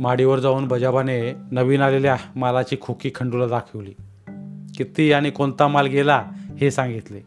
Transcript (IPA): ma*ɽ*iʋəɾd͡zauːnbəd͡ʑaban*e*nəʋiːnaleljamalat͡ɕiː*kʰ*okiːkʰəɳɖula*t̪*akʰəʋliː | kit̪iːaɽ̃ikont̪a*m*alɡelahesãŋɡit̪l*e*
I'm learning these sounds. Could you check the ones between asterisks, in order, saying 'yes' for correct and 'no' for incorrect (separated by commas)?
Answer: yes, yes, yes, no, yes, yes